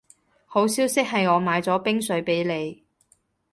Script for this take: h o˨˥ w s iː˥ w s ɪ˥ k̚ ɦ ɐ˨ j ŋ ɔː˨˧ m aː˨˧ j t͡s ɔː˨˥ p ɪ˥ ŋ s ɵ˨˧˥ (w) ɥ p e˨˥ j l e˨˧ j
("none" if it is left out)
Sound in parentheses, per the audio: none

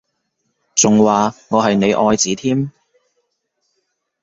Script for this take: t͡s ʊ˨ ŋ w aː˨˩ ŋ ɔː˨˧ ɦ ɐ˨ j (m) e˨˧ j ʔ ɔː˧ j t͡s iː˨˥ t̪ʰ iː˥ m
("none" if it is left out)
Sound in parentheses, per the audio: n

